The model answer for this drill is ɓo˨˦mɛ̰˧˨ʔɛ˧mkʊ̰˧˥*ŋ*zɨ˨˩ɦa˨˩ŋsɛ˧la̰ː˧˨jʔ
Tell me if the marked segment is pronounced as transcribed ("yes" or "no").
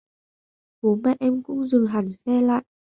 no